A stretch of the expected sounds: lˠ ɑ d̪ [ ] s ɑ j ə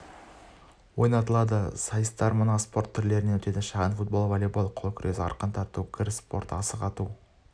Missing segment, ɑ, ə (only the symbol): ə